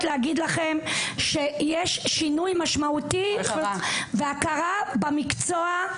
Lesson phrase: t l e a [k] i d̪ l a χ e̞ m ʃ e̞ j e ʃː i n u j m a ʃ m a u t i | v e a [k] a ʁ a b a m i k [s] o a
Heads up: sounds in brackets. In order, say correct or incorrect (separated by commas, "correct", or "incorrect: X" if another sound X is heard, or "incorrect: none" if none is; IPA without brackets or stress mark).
incorrect: ɡ, correct, incorrect: t͡s